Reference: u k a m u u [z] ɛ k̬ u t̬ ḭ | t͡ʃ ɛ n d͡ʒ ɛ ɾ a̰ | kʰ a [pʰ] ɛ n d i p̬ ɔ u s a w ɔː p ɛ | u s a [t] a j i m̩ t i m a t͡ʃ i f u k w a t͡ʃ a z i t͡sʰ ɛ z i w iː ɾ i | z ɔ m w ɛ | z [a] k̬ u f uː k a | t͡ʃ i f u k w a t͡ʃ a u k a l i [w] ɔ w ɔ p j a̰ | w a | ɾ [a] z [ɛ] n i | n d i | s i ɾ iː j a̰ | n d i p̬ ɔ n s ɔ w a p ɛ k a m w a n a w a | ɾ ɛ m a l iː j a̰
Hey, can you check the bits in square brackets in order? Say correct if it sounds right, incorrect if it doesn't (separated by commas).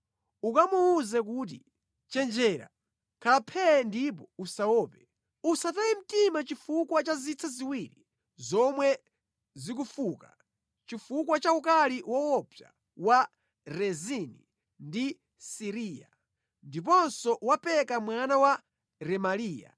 correct, correct, correct, incorrect, correct, incorrect, incorrect